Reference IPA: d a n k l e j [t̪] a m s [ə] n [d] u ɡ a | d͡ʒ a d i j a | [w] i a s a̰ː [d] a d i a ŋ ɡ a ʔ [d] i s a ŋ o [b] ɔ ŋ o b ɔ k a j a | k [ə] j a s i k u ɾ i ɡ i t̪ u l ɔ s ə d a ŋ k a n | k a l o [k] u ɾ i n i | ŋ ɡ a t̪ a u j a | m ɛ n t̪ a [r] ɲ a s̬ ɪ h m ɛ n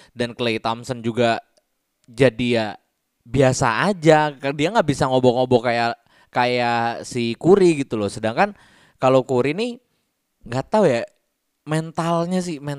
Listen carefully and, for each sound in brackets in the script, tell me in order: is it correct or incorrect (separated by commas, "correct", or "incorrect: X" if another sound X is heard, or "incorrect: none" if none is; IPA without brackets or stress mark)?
correct, correct, incorrect: d͡ʒ, incorrect: b, incorrect: d͡ʒ, incorrect: b, correct, incorrect: a, correct, incorrect: l